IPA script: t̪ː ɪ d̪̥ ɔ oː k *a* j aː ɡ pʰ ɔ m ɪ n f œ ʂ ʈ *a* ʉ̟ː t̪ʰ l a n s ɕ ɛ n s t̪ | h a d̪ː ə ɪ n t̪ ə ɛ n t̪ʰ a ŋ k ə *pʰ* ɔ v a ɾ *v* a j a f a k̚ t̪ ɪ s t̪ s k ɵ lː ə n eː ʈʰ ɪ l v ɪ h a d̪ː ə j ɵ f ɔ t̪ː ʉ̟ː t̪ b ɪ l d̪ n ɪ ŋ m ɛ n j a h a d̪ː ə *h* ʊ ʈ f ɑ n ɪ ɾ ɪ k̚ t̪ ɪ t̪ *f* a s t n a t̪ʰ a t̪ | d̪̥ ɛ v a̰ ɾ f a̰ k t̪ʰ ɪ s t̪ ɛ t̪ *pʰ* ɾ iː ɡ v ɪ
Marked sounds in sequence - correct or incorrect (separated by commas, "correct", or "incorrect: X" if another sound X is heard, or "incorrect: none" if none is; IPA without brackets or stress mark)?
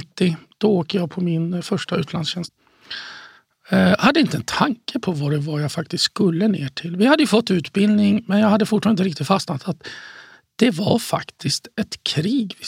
incorrect: ə, correct, correct, correct, incorrect: f, correct, incorrect: kʰ